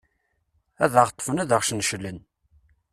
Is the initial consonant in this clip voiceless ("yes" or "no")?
no